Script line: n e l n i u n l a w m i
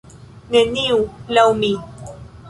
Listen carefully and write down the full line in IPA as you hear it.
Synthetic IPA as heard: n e n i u l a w m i